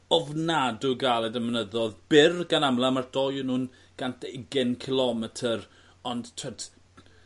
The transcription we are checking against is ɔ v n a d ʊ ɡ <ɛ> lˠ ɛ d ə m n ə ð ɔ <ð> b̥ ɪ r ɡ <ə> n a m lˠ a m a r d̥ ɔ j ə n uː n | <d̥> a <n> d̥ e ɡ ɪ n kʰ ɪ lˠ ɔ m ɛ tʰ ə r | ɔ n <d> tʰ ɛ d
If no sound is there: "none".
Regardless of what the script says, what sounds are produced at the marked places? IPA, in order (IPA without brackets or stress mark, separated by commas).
a, ð, a, ɡ̥, n, d